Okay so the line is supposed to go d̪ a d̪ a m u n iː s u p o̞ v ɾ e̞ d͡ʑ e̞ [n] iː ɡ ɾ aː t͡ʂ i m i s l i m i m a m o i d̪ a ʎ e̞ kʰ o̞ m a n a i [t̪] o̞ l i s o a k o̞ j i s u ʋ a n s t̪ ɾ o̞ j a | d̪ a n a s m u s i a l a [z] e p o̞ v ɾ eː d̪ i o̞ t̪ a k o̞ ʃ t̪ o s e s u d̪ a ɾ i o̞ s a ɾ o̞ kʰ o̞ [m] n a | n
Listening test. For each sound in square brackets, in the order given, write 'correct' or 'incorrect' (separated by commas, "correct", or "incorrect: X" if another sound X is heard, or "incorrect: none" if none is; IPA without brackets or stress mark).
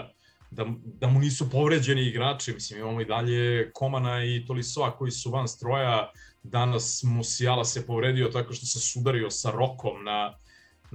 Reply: correct, correct, incorrect: s, correct